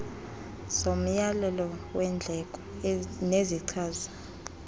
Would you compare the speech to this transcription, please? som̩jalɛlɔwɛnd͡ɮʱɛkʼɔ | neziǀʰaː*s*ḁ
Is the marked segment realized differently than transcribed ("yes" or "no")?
yes